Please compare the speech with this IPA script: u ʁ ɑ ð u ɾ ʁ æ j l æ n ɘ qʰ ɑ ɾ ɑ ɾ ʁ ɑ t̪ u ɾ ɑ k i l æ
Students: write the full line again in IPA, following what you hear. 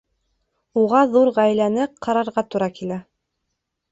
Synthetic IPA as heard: u ʁ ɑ ð u ɾ ʁ æ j l æ n ɘ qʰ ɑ ɾ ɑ ɾ ʁ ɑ t̪ u ɾ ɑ k i l æ